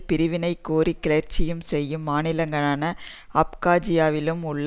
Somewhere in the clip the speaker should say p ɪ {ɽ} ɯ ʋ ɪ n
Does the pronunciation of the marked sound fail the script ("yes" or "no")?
yes